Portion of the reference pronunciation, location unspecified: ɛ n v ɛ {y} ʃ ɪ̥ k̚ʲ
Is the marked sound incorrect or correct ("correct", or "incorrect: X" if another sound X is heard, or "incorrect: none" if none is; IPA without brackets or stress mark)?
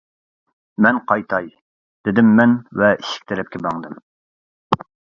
incorrect: i